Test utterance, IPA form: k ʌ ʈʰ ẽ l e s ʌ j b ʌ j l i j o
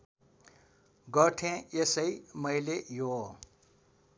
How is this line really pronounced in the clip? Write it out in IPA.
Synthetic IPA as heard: ɡ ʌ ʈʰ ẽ e s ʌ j m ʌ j l e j o